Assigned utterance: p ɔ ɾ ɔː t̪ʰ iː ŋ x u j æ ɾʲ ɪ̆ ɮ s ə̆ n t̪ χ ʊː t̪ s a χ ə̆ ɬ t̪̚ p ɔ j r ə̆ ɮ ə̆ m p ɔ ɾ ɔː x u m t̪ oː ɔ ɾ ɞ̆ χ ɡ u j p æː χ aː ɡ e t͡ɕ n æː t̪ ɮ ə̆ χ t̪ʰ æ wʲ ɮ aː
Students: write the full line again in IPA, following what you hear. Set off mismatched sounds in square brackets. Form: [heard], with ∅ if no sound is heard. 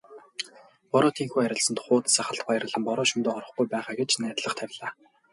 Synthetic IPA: p ɔ ɾ ɔː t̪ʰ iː ŋ x u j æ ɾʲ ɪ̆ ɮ s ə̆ n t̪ χ ʊː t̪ s a χ ə̆ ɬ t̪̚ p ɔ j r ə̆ ɮ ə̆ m p ɔ ɾ ɔː [ʃ] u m t̪ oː ɔ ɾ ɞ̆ χ ɡ u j p æː χ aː ɡ e t͡ɕ n æː t̪ ɮ ə̆ χ t̪ʰ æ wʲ ɮ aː